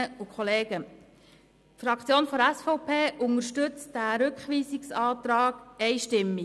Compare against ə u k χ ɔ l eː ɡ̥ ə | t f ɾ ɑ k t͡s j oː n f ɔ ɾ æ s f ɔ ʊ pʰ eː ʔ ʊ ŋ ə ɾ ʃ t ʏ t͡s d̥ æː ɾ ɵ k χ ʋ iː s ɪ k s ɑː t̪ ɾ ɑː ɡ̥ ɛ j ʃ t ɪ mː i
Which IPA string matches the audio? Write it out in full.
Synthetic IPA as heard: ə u k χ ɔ l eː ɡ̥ ə | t f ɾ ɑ k t͡s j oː n f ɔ ɾ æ s f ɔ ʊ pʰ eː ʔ ʊ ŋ ə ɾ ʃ t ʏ t͡s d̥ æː ɾ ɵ k χ ʋ iː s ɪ k s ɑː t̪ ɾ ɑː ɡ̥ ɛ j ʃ t ɪ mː i